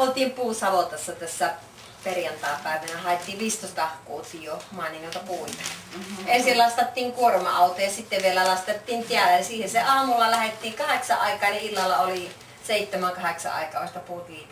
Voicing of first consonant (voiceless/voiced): voiced